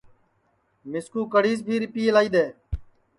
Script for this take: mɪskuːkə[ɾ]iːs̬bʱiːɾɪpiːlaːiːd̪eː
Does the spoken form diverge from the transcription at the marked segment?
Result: yes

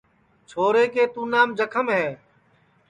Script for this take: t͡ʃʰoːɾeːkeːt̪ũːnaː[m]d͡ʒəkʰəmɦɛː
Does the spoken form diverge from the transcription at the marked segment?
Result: no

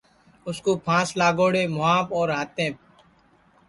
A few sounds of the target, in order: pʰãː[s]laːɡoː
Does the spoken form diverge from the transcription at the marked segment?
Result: no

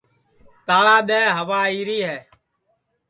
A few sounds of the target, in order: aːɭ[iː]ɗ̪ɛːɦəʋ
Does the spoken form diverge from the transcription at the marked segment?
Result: yes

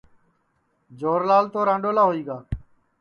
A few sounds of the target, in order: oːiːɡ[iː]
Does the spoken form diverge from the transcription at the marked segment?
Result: yes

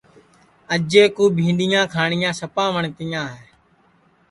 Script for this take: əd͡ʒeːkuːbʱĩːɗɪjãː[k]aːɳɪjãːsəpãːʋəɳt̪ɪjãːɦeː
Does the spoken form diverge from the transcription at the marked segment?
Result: yes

